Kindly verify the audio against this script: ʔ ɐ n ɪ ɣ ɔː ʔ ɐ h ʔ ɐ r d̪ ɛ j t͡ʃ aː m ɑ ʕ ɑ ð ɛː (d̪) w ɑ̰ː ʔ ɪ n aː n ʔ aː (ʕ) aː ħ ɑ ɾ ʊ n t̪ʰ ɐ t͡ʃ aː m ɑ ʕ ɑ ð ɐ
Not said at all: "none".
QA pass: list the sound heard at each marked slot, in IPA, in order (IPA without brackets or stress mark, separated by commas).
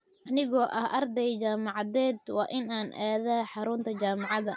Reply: d̪, ð